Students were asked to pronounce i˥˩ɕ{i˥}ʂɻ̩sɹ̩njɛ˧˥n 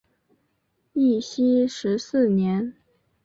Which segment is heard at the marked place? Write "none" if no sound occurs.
i˥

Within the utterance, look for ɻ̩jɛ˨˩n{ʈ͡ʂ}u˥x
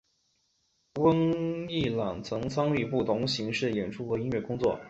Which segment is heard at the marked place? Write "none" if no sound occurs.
ʈ͡ʂʰ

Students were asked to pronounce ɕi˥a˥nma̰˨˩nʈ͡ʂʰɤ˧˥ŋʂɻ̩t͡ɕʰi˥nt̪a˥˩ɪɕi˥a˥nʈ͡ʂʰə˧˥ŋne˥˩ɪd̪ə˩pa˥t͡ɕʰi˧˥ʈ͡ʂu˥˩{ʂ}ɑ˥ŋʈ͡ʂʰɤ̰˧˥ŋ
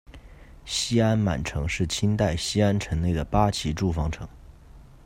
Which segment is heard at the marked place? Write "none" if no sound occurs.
f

